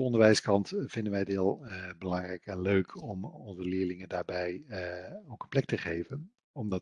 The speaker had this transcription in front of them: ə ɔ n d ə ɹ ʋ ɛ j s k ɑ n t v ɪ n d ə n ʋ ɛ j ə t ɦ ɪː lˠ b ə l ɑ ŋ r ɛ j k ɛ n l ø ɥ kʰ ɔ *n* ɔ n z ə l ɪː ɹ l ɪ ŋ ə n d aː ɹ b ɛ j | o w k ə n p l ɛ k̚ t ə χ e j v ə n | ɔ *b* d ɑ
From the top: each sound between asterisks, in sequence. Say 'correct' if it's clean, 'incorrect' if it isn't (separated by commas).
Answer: incorrect, incorrect